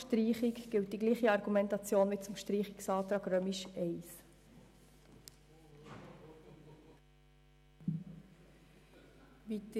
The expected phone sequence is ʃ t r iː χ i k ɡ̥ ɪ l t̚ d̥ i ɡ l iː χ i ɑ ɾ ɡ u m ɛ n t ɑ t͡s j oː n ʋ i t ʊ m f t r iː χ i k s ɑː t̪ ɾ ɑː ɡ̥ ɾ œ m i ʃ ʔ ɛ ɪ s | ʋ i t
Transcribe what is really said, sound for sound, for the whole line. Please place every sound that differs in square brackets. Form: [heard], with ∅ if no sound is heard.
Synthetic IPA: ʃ t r iː χ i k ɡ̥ ɪ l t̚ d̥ i ɡ l iː χ i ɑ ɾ ɡ u m ɛ n t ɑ t͡s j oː n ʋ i [t͡s] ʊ m [ʃ] t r iː χ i k s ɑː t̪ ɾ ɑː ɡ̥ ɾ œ m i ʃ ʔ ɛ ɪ s | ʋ i t